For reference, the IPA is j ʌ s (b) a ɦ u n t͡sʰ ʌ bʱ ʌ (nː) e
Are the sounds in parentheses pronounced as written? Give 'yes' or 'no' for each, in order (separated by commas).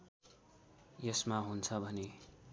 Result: no, no